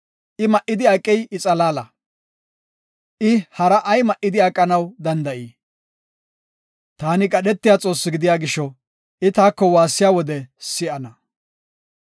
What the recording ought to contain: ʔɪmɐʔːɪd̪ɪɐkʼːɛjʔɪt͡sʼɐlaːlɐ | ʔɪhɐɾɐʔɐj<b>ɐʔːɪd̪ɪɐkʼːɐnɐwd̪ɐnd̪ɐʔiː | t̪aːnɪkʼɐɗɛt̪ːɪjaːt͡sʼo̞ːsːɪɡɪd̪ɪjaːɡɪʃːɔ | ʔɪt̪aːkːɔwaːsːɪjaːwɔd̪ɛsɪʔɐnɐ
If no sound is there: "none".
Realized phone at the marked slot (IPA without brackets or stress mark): m